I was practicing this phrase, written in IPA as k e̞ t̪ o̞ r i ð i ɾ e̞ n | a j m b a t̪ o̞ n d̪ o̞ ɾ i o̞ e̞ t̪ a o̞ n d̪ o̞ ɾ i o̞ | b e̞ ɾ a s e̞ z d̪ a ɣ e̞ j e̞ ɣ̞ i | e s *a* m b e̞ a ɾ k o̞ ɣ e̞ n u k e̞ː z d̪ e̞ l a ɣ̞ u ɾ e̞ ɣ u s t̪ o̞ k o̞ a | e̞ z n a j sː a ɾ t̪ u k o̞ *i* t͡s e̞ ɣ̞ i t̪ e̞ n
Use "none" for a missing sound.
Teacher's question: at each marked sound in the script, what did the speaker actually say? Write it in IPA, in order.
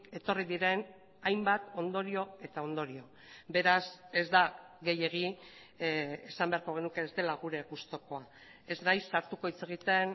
a, i

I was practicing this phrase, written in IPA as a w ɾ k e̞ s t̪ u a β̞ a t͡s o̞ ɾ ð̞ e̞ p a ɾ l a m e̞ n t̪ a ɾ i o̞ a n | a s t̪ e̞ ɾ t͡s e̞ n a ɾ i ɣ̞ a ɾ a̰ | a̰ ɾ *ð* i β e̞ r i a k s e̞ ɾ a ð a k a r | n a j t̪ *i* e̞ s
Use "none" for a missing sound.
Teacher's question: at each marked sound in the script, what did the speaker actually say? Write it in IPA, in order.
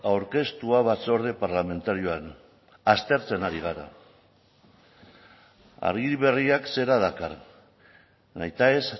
ɣ, a

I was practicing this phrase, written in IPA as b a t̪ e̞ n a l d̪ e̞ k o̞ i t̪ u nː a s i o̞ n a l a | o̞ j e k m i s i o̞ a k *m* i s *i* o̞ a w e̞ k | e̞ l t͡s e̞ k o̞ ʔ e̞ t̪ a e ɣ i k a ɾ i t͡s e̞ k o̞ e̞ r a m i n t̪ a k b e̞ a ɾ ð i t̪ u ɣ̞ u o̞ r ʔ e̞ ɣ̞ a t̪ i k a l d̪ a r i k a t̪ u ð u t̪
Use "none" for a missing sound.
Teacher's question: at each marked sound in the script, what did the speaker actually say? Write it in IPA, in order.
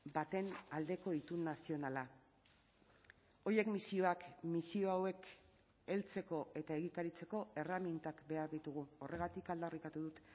m, i

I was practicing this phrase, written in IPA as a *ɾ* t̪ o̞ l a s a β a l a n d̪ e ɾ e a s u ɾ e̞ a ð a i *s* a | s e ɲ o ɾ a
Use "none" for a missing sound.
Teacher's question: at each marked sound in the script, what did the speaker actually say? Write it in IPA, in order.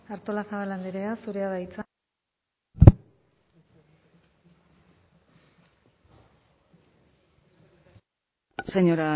ɾ, t͡s

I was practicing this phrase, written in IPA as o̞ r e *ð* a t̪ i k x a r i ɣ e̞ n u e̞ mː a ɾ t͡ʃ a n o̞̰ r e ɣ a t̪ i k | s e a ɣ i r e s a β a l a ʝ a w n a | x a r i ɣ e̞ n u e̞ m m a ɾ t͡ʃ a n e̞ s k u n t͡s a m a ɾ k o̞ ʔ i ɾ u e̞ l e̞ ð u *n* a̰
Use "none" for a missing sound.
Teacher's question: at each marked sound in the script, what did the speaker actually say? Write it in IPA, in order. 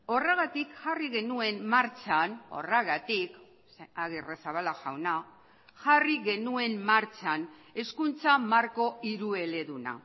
ɣ, n

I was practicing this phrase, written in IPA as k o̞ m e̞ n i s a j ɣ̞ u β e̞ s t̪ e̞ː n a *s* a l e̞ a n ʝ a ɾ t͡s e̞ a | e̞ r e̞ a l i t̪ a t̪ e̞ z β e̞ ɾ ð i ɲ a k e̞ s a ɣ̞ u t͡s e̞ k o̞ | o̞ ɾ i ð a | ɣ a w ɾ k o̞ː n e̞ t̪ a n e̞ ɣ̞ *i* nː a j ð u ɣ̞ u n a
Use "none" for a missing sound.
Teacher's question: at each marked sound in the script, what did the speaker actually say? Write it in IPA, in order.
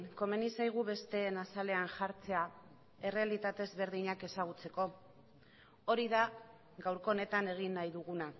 s, i

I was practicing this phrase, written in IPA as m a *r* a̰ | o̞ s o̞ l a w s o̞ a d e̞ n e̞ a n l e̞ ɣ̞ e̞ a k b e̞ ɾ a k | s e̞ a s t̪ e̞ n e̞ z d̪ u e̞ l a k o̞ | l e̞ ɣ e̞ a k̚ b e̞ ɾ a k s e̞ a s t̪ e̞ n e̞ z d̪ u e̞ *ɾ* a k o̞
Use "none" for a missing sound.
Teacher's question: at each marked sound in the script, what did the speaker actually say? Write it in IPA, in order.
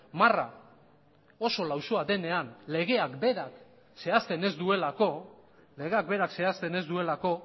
r, l

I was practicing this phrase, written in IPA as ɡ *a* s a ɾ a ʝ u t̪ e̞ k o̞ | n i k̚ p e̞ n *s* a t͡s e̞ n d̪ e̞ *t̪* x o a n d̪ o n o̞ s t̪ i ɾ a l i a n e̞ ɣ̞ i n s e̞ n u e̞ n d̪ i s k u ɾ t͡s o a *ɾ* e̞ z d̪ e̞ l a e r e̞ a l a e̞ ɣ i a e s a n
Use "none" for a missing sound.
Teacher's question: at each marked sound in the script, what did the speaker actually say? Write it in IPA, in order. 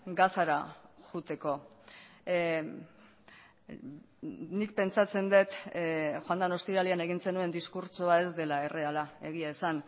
a, t͡s, t̪, none

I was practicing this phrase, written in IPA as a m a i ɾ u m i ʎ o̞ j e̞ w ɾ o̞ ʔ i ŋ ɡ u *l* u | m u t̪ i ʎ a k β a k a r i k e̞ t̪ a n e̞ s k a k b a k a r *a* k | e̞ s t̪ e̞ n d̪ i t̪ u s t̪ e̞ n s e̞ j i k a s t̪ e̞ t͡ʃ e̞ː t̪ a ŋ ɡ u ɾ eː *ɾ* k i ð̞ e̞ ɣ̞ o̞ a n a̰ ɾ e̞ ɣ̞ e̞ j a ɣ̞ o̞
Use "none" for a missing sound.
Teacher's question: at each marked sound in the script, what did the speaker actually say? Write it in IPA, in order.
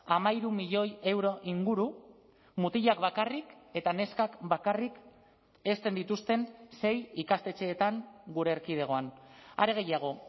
ɾ, i, ɾ

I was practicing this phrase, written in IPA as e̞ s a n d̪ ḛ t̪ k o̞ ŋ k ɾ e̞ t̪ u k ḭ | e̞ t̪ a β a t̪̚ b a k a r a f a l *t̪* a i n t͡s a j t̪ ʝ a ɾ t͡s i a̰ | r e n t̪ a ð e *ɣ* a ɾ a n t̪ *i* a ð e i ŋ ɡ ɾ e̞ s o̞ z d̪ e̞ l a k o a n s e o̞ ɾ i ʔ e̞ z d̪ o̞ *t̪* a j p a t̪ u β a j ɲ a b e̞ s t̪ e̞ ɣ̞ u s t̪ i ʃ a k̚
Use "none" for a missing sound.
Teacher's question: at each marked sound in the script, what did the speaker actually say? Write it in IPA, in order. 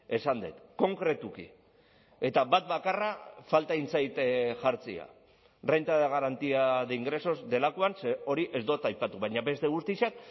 t̪, ɣ, i, t̪

